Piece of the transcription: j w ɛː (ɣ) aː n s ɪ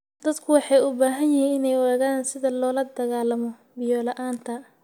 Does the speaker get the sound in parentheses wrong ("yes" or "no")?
no